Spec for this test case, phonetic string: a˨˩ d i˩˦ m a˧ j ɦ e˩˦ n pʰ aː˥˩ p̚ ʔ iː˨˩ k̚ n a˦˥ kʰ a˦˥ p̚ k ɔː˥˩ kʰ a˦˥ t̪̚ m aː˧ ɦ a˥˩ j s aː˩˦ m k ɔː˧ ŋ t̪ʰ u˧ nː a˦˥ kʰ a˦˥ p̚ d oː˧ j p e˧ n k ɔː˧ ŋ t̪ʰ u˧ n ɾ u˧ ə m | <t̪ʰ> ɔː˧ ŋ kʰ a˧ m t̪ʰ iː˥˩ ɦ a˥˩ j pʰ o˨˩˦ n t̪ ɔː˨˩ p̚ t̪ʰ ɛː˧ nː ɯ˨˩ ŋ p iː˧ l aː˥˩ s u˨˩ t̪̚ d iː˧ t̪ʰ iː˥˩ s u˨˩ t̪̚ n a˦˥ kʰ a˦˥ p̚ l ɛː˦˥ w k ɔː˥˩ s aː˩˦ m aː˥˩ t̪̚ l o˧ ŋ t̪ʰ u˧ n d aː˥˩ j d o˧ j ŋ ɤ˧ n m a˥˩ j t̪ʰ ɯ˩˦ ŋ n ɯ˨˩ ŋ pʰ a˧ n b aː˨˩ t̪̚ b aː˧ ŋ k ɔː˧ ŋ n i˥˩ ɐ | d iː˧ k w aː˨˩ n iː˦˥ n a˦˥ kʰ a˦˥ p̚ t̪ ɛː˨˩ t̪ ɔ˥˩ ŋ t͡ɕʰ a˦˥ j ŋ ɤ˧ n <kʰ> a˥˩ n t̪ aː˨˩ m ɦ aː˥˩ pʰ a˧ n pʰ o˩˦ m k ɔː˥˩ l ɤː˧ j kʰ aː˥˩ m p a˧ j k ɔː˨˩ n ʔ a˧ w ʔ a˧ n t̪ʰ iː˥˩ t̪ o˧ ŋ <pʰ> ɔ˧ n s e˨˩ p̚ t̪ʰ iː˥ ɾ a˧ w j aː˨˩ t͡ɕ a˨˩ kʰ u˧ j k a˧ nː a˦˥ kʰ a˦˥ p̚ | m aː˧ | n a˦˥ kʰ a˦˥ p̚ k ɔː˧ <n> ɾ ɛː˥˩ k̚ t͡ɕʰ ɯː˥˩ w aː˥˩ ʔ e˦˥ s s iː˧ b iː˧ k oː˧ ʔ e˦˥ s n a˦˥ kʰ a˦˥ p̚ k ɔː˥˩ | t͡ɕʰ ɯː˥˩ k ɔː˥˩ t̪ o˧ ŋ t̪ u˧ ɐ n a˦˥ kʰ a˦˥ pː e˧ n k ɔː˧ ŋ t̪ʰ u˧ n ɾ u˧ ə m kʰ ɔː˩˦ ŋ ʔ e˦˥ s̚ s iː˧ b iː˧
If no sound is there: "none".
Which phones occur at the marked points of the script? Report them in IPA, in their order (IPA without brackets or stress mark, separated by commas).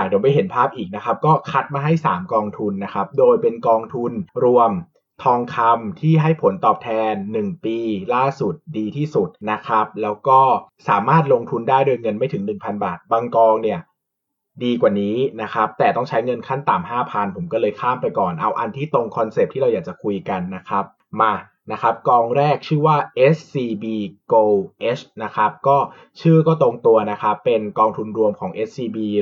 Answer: t̪ʰ, kʰ, kʰ, ŋ